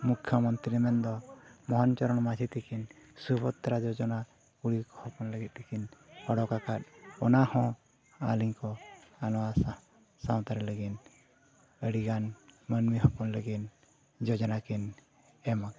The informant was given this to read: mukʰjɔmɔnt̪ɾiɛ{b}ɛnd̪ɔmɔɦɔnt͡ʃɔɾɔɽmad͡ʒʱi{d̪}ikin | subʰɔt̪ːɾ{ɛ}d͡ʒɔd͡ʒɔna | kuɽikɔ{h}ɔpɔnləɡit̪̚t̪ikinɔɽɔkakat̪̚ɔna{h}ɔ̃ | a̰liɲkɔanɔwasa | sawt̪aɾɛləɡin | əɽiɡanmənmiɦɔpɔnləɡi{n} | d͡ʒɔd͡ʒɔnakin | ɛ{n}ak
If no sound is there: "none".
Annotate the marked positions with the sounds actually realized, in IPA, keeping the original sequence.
m, t̪, a, h, h, n, m

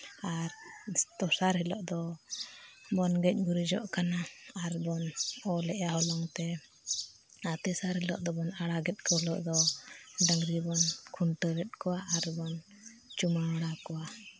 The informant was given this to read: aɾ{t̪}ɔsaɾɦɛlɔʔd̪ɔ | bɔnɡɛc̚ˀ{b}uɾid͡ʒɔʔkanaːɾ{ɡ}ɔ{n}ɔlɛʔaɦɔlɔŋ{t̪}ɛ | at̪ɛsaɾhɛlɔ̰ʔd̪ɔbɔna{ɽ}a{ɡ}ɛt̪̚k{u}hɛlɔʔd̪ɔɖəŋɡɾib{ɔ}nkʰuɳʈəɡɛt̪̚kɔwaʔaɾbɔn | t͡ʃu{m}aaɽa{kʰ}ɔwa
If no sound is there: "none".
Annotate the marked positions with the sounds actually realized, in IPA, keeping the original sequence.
t̪, ɡ, b, n, t̪, ɽ, ɡ, ɔ, ɔ, m, k

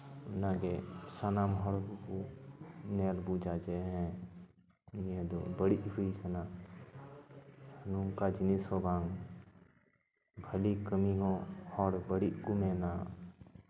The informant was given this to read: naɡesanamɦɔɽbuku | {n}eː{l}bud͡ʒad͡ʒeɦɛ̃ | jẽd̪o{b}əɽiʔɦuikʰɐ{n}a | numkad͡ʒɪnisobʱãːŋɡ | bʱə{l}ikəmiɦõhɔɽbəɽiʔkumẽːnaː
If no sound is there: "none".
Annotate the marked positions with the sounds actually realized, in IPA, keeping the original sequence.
n, l, b, n, l

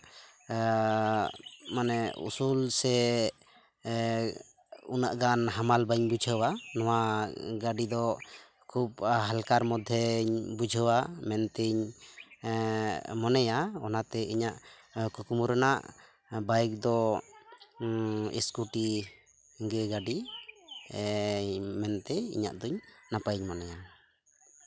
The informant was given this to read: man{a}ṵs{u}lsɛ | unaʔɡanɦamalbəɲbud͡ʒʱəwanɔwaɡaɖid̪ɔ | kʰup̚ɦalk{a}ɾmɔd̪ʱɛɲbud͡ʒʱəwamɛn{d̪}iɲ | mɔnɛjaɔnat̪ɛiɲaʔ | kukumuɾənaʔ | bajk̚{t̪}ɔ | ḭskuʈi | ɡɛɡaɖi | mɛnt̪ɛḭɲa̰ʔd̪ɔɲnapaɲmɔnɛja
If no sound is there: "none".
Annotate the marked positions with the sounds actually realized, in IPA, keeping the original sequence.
ɛ, u, a, t̪, d̪

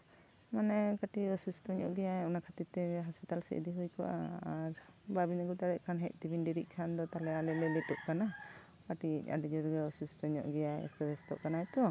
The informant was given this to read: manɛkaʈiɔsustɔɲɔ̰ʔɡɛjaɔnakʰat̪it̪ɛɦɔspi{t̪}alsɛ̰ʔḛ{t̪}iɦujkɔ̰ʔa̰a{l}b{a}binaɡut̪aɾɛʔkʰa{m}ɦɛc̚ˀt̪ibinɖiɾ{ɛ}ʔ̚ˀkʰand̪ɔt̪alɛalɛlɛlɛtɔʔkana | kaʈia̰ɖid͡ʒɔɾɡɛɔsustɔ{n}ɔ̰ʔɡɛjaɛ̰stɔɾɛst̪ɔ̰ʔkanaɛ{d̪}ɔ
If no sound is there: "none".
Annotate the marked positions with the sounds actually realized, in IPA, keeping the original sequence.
t̪, d̪, ɾ, a, n, i, ɲ, t̪

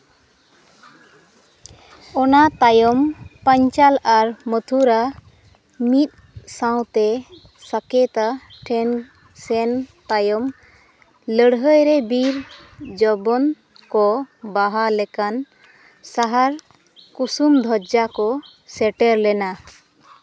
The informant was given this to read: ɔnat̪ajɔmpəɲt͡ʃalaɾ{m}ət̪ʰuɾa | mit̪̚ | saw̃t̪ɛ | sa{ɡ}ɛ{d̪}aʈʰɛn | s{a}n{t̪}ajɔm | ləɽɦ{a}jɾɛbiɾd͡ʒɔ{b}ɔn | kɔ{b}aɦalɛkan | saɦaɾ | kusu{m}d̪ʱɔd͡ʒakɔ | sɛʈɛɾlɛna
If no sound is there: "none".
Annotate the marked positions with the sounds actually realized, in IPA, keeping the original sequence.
m, k, t̪, ɛ, t̪, ə, b, b, m

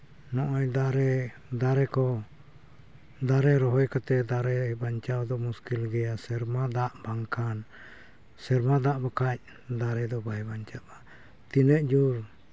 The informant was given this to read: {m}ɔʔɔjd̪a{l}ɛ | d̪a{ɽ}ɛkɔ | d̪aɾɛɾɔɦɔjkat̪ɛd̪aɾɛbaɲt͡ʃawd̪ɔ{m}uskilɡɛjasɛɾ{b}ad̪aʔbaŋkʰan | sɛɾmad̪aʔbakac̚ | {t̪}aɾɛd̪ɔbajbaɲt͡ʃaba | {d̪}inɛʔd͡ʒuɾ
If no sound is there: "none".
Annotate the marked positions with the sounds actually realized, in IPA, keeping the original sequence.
n, ɾ, ɾ, m, m, d̪, t̪

